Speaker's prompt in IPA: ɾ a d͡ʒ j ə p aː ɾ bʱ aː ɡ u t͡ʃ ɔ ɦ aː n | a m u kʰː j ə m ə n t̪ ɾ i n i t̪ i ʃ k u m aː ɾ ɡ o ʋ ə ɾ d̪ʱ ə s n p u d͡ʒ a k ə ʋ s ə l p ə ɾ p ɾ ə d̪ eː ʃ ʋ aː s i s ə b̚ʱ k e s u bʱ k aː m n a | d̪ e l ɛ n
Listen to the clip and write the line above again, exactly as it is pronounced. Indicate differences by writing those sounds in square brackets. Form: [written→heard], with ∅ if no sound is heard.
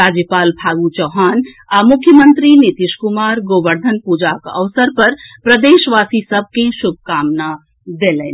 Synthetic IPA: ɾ a d͡ʒ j ə p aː [ɾ→l] bʱ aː ɡ u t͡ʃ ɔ ɦ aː n | a m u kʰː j ə m ə n t̪ ɾ i n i t̪ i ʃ k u m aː ɾ ɡ o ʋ ə ɾ d̪ʱ ə [s→∅] n p u d͡ʒ a k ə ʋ s ə [l→ɾ] p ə ɾ p ɾ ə d̪ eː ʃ ʋ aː s i s ə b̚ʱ k e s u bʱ k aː m n a | d̪ e l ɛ n